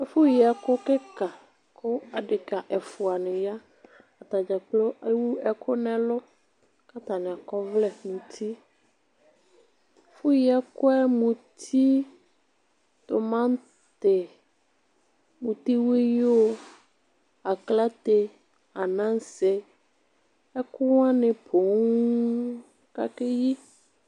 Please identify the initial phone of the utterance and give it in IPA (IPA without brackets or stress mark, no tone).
f